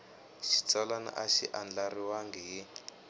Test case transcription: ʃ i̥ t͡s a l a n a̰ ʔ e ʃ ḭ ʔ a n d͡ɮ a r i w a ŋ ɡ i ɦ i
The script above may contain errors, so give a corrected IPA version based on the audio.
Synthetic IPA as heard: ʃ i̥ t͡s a l a n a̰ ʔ a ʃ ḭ ʔ a n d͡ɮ a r i w a ŋ ɡ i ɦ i